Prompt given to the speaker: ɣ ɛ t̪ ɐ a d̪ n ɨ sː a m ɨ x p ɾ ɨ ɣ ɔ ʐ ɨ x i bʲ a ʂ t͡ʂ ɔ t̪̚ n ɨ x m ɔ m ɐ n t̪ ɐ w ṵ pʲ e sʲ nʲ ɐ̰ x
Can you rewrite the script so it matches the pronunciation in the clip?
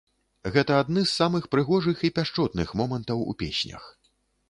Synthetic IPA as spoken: ɣ ɛ t̪ ɐ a d̪ n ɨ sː a m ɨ x p ɾ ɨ ɣ ɔ ʐ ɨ x i pʲ a ʂ t͡ʂ ɔ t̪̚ n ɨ x m ɔ m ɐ n t̪ ɐ w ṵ pʲ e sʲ nʲ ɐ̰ x